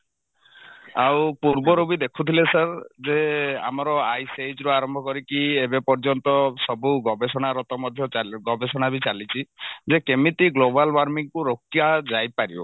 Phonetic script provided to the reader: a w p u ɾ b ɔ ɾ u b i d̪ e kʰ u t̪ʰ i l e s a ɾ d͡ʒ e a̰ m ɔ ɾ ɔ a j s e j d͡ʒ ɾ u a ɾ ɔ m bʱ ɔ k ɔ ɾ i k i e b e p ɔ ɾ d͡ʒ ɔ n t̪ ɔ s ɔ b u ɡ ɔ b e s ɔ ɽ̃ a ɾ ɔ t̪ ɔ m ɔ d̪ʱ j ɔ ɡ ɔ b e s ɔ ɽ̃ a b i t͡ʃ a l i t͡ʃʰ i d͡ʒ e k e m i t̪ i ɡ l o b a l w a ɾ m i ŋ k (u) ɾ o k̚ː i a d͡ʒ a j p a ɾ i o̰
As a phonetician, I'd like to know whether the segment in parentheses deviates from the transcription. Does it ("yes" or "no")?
no